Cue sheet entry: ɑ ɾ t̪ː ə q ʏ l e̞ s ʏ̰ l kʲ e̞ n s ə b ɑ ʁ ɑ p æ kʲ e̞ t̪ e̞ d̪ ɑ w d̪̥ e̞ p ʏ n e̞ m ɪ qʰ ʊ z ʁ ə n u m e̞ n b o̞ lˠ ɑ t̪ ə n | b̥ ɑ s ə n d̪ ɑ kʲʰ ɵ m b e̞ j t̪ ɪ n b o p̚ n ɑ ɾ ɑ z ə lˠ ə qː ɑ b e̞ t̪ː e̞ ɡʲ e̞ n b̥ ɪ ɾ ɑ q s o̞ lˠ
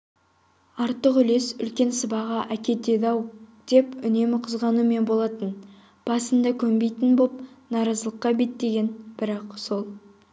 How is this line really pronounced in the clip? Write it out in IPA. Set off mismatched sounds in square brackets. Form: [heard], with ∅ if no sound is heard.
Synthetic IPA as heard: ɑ ɾ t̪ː ə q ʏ l e̞ s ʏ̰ l kʲ e̞ n s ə b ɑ ʁ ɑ [ʔ] æ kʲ e̞ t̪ e̞ d̪ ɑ w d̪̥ e̞ p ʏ n e̞ m ɪ qʰ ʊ z ʁ [ɑ] n u m e̞ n b o̞ lˠ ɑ t̪ ə n | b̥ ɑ s ə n d̪ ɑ kʲʰ ɵ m b e̞ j t̪ ɪ n b o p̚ n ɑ ɾ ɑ z ə lˠ ə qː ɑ b e̞ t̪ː e̞ ɡʲ e̞ n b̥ ɪ ɾ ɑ q s o̞ lˠ